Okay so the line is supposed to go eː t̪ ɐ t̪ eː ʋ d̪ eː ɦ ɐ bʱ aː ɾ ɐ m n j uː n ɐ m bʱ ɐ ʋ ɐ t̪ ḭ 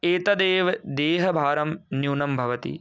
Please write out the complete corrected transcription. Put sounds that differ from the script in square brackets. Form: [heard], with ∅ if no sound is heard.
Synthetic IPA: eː t̪ ɐ [d̪] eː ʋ d̪ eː ɦ ɐ bʱ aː ɾ ɐ m n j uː n ɐ m bʱ ɐ ʋ ɐ t̪ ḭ